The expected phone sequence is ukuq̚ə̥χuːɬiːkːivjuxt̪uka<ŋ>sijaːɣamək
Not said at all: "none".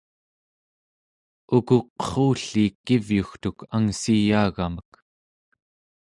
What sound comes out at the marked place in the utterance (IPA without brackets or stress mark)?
ŋ